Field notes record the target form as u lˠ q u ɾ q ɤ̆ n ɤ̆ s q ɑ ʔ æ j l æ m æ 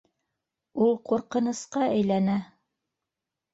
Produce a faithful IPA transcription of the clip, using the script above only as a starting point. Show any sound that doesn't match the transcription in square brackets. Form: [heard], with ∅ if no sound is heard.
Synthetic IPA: u lˠ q u ɾ q ɤ̆ n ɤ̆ s q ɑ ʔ æ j l æ [n] æ